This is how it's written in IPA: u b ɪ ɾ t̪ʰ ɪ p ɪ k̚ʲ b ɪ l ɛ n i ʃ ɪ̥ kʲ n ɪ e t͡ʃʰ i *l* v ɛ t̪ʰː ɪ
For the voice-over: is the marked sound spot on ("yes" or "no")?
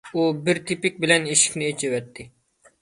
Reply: no